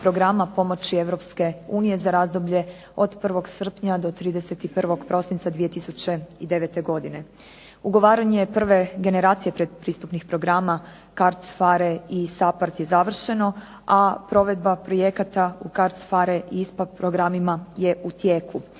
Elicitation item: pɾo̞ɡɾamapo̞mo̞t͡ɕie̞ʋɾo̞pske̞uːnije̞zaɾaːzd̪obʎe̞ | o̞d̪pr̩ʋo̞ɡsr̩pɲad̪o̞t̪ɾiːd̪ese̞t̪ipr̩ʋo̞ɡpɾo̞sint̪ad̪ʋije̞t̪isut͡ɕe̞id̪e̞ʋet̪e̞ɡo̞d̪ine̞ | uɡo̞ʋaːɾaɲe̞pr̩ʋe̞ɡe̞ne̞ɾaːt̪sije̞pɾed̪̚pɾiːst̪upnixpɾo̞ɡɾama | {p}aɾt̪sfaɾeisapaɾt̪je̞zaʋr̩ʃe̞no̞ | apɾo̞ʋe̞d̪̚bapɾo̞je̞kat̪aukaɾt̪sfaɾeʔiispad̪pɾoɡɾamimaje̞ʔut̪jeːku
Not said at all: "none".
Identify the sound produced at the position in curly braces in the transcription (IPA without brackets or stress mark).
k